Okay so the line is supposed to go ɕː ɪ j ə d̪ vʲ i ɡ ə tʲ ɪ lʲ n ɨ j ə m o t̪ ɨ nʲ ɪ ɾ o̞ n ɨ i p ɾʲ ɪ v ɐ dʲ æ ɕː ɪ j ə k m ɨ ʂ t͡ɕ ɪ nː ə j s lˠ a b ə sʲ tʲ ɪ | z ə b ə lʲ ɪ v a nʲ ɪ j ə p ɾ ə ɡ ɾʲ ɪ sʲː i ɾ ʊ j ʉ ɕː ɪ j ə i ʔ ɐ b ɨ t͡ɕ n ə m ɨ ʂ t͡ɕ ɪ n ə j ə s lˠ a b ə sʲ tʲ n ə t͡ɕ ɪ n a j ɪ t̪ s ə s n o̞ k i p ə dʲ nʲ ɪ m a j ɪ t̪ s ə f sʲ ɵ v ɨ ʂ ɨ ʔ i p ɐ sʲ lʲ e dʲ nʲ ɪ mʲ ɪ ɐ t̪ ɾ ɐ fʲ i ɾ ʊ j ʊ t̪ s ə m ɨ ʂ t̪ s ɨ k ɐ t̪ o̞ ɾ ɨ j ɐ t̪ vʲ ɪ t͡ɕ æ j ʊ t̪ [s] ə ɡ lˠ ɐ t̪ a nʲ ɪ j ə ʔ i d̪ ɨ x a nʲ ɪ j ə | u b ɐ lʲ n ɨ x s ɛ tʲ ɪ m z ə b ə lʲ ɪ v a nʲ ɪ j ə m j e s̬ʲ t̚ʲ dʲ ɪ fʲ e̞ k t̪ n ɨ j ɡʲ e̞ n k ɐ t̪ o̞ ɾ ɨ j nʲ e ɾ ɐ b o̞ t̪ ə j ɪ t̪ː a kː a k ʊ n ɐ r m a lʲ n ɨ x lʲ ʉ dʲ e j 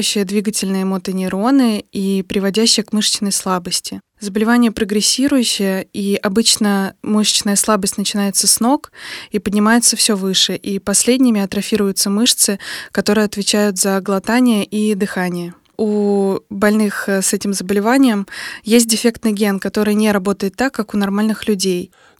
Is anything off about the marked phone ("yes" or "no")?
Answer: yes